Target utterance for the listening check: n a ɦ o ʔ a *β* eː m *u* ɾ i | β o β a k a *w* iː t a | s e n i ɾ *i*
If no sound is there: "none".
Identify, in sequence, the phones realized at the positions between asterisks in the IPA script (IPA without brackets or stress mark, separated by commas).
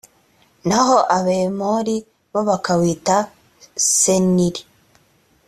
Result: β, o, w, i